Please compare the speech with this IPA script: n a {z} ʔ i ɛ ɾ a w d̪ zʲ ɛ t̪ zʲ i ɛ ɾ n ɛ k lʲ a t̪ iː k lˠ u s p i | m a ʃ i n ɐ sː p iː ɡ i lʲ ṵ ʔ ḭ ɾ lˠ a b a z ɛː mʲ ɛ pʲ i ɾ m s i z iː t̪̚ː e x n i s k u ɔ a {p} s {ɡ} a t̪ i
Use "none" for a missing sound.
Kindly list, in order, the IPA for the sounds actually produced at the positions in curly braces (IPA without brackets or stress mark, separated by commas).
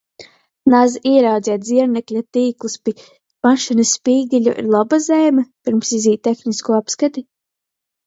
z, p, k